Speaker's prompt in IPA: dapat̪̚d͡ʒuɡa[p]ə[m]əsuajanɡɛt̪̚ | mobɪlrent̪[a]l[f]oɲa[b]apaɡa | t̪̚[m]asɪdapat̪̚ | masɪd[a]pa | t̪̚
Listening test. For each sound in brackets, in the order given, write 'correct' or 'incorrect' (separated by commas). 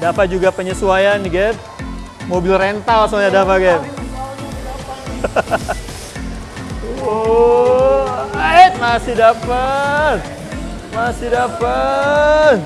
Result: correct, incorrect, correct, incorrect, incorrect, correct, correct